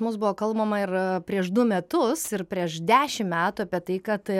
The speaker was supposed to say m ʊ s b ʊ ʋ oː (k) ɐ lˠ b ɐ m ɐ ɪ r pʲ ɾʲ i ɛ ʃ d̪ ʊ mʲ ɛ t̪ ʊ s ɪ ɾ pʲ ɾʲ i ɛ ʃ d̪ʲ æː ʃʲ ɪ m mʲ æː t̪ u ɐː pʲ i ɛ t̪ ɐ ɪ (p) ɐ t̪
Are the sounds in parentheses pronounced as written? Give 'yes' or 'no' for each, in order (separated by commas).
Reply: yes, no